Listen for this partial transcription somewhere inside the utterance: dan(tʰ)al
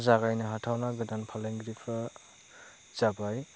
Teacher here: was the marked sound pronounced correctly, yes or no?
no